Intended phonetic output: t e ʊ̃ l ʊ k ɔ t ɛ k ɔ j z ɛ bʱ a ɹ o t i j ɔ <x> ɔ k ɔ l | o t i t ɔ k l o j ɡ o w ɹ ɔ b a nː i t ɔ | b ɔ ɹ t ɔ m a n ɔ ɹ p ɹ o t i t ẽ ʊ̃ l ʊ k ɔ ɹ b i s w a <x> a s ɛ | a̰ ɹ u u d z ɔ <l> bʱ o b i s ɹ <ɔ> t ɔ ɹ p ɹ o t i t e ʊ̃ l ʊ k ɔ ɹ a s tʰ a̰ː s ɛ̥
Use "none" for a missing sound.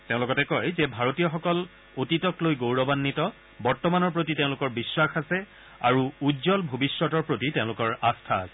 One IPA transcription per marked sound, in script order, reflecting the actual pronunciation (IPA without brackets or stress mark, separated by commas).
x, x, l, ɔ